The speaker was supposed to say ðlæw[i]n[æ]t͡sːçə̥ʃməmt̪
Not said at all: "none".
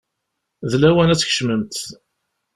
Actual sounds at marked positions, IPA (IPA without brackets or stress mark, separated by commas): æ, æ